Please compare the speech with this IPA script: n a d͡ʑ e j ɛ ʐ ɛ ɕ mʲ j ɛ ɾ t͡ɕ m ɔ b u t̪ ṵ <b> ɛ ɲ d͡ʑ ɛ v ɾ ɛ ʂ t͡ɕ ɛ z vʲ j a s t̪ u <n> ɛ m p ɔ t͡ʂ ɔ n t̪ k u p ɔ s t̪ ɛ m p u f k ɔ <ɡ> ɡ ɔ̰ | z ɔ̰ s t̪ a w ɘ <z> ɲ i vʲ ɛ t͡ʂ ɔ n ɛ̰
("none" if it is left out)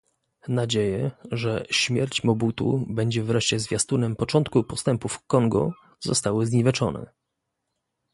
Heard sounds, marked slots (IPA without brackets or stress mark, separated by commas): b, n, ŋ, z